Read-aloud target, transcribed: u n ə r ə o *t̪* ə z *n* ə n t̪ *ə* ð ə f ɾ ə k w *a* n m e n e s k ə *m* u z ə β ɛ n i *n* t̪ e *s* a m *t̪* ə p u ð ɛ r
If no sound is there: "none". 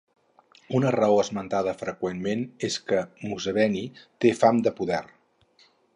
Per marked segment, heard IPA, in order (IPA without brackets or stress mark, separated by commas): none, m, a, e, m, none, f, d̪